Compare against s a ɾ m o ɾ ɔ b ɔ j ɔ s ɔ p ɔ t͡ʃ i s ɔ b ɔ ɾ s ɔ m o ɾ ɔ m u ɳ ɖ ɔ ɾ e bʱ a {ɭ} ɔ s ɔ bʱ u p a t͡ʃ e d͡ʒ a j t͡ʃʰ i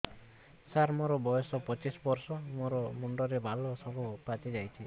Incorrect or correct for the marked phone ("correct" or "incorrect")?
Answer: incorrect